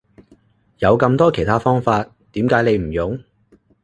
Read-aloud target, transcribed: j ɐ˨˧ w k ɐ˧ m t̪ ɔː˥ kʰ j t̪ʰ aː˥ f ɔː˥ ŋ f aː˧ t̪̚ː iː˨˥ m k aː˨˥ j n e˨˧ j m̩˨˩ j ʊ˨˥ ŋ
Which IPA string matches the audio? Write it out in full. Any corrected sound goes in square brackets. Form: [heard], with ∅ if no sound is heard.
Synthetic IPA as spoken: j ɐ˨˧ w k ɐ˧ m t̪ ɔː˥ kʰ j t̪ʰ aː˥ f ɔː˥ ŋ f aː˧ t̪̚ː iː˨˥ m k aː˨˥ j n e˨˧ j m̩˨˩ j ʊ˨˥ ŋ